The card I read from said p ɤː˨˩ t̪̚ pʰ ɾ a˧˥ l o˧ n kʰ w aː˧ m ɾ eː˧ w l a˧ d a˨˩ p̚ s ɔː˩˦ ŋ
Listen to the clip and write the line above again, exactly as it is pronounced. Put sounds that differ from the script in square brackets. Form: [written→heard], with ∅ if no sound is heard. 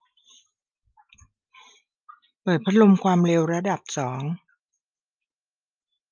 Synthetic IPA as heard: p ɤː˨˩ t̪̚ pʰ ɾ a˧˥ l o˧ [n→m] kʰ w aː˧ m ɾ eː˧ w [l→ɾ] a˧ d a˨˩ p̚ s ɔː˩˦ ŋ